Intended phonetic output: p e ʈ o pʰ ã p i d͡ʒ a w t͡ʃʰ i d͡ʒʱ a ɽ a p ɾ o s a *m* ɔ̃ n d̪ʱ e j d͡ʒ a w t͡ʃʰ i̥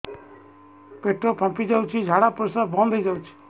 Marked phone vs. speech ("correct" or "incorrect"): incorrect